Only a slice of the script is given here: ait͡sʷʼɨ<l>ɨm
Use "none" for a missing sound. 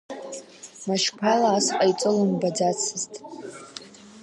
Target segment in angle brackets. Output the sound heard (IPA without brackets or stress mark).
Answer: l